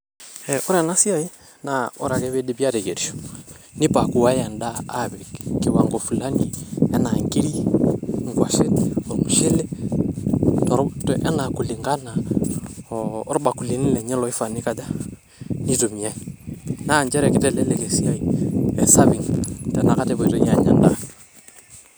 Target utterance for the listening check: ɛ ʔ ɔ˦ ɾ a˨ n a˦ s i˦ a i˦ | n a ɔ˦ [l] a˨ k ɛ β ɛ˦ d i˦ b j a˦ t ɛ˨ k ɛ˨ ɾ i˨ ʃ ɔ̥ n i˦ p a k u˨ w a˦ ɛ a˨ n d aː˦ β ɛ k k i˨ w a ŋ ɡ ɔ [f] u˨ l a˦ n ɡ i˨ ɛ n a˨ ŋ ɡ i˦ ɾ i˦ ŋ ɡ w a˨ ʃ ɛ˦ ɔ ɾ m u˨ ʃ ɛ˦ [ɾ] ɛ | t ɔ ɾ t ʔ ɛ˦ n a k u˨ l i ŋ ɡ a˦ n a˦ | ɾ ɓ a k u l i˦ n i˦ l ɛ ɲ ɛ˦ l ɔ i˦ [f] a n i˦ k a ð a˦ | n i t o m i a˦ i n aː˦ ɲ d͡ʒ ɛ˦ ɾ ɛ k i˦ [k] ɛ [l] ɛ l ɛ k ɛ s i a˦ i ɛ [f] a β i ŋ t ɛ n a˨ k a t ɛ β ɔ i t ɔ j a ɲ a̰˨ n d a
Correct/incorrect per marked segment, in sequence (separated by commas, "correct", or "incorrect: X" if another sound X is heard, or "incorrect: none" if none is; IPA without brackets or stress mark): incorrect: ɾ, correct, incorrect: l, correct, incorrect: t, correct, incorrect: s